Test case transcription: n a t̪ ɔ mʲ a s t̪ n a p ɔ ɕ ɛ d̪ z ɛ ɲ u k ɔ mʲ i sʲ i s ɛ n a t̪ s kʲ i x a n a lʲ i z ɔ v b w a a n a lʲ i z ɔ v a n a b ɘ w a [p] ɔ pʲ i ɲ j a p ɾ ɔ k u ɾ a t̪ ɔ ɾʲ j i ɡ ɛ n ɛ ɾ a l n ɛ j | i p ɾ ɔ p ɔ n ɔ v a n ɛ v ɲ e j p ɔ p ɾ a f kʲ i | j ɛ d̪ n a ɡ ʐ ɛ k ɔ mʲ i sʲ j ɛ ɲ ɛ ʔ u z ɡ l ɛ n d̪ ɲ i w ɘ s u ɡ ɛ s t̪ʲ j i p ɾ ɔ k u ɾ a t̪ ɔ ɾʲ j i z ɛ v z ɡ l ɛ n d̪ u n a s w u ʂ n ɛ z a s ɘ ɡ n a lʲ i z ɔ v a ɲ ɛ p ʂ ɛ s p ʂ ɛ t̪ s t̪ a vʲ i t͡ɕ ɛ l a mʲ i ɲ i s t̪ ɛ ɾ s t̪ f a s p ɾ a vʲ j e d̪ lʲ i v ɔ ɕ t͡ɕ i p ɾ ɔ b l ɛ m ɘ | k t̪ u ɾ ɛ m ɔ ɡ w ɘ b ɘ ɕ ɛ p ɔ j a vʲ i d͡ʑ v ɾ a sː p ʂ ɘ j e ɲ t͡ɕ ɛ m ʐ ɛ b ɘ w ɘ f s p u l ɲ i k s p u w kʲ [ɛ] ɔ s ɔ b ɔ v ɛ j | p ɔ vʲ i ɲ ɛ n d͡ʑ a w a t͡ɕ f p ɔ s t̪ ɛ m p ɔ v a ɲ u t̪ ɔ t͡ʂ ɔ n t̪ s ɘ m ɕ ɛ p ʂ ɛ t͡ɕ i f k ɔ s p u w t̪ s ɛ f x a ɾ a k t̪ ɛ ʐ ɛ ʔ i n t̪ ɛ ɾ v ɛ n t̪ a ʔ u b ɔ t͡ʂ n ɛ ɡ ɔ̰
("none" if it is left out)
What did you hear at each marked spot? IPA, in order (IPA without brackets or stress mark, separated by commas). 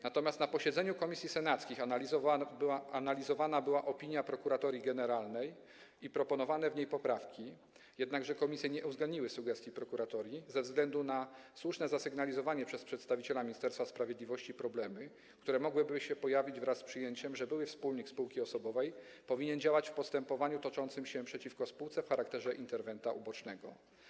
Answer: ʔ, i